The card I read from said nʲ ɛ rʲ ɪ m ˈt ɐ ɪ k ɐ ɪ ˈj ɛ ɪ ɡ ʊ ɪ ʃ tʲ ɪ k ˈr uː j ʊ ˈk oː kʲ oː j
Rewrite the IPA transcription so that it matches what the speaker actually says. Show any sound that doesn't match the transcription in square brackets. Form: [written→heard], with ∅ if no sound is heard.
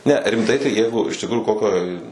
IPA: nʲ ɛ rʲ ɪ m ˈt ɐ ɪ [k→t] ɐ ɪ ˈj ɛ ɪ ɡ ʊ ɪ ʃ tʲ ɪ k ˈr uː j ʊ ˈk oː kʲ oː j

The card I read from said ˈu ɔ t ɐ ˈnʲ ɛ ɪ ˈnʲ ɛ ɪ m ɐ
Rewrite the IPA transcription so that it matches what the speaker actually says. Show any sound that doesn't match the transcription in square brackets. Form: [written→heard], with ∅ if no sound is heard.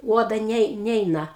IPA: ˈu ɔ [t→d] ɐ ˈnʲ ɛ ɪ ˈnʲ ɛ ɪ [m→n] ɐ

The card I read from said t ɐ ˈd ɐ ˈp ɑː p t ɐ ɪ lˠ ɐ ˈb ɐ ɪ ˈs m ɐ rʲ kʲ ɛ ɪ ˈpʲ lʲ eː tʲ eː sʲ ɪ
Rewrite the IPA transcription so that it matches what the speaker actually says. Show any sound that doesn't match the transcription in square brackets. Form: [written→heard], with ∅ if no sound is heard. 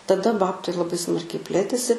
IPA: t ɐ ˈd ɐ [ˈp→ˈb] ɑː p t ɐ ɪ lˠ ɐ ˈb ɐ ɪ ˈs m ɐ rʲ kʲ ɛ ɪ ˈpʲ lʲ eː tʲ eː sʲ ɪ

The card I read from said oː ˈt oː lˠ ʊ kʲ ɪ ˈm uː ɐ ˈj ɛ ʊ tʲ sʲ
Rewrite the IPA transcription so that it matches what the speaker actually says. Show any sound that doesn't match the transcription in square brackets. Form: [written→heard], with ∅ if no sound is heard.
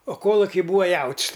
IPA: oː [ˈt→ˈk] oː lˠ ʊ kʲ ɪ [ˈm→ˈb] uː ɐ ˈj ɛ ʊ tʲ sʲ

